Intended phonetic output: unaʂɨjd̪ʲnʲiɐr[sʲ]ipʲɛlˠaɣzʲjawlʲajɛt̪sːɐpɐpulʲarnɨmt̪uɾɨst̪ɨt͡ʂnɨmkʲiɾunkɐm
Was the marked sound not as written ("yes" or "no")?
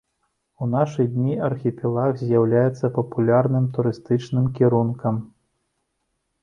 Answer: yes